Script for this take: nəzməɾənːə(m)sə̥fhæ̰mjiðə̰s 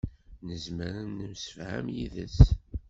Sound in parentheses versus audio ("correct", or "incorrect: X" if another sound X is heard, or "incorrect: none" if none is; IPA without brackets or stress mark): correct